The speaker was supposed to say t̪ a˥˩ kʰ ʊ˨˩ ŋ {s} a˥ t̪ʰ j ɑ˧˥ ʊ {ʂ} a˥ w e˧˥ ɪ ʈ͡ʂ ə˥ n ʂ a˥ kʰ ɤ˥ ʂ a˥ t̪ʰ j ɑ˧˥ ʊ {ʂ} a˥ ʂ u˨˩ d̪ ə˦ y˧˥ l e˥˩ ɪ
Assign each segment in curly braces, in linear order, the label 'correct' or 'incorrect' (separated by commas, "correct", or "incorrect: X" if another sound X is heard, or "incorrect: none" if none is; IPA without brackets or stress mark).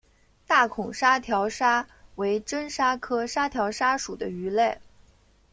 incorrect: ʂ, correct, correct